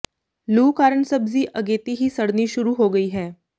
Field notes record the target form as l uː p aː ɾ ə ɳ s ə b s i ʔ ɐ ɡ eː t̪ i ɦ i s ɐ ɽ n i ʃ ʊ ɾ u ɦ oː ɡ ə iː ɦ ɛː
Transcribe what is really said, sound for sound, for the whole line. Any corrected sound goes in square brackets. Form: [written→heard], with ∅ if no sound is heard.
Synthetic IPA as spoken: l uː [p→k] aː ɾ ə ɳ s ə b [s→z] i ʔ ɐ ɡ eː t̪ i ɦ i s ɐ ɽ n i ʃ ʊ ɾ u ɦ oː ɡ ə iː ɦ ɛː